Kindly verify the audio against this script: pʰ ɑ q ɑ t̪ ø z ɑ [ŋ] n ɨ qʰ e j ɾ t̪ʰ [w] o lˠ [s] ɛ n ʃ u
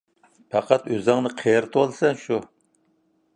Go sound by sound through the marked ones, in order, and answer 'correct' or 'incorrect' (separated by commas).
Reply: correct, correct, correct